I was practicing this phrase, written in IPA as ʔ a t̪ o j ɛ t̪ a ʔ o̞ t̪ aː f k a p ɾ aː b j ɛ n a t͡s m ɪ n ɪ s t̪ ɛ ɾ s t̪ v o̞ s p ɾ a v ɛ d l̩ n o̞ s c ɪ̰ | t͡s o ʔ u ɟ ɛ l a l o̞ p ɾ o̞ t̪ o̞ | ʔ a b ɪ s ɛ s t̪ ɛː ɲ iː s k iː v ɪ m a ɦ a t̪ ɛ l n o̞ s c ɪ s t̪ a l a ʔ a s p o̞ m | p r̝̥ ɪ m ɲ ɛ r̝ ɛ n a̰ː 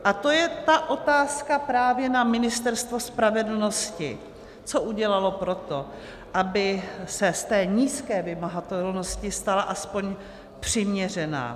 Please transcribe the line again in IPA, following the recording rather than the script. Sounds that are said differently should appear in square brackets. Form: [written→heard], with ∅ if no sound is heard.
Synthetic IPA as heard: ʔ a t̪ o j ɛ t̪ a ʔ o̞ t̪ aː [f→s] k a p ɾ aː [b→v] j ɛ n a [t͡s→∅] m ɪ n ɪ s t̪ ɛ ɾ s t̪ v o̞ s p ɾ a v ɛ d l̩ n o̞ s c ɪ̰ | t͡s o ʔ u ɟ ɛ l a l o̞ p ɾ o̞ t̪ o̞ | ʔ a b ɪ s ɛ s t̪ ɛː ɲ iː s k [iː→ɛː] v ɪ m a ɦ a t̪ ɛ l n o̞ s c ɪ s t̪ a l a ʔ a s p o̞ [m→ɲ] | p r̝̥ ɪ m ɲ ɛ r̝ ɛ n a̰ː